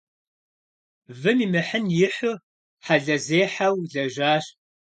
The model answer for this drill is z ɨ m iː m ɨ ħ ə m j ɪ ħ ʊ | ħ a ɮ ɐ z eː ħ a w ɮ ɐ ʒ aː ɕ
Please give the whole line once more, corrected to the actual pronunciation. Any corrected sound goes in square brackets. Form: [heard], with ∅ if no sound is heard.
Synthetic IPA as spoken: [v] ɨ m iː m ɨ ħ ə [n] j ɪ ħ ʊ | ħ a ɮ ɐ z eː ħ a w ɮ ɐ ʒ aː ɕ

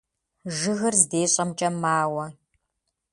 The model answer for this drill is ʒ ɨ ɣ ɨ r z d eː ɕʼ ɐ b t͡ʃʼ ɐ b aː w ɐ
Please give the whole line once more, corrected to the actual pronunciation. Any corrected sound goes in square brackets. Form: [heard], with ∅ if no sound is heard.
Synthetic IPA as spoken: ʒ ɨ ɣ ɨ r z d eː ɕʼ ɐ [m] t͡ʃʼ ɐ [m] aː w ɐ

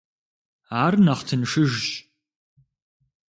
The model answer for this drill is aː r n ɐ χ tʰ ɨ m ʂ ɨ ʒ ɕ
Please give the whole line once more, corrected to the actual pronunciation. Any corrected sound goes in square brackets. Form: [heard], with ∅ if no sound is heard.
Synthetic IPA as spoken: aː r n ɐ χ tʰ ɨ [n] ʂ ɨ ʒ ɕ

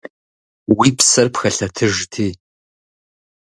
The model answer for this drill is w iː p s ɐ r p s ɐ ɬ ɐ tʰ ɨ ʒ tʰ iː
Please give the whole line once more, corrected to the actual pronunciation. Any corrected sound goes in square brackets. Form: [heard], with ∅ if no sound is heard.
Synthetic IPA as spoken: w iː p s ɐ r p [x] ɐ ɬ ɐ tʰ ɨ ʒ tʰ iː

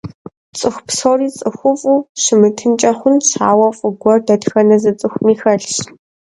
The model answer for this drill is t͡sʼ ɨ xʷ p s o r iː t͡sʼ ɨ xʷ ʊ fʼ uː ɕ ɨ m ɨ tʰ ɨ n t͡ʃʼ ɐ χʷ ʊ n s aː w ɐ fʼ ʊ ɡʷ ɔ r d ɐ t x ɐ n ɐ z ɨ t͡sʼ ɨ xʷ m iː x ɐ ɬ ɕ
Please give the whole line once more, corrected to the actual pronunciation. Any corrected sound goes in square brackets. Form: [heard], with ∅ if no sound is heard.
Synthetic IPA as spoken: t͡sʼ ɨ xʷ p s o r iː t͡sʼ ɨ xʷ ʊ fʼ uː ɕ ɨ m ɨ tʰ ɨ n t͡ʃʼ ɐ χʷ ʊ n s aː w ɐ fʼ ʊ ɡʷ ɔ r d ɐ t x ɐ n ɐ z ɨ t͡sʼ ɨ xʷ m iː x ɐ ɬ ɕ

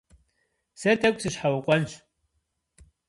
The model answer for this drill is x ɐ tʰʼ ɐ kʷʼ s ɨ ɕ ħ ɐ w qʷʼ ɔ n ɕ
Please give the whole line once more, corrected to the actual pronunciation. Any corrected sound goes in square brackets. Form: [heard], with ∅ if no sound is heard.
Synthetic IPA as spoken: [s] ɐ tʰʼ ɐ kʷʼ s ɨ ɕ ħ [a] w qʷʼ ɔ n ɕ

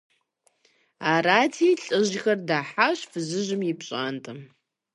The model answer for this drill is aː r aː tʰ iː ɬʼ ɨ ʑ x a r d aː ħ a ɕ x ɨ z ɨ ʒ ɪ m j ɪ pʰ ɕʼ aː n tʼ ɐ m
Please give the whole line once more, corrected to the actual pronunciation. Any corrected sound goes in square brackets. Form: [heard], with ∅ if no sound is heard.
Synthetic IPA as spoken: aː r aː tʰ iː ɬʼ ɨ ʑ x [ɐ] r d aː ħ a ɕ [f] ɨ z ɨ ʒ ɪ m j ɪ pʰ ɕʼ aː n tʼ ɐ m

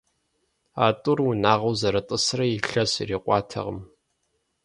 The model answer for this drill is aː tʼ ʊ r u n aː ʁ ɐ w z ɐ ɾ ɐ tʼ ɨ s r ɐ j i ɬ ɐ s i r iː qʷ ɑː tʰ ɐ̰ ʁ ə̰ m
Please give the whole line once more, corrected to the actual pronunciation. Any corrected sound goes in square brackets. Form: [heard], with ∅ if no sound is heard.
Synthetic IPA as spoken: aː tʼ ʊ r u n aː ʁ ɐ w z ɐ ɾ ɐ tʼ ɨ s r ɐ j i ɬ ɐ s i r iː qʷ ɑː tʰ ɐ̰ ʁ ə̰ m

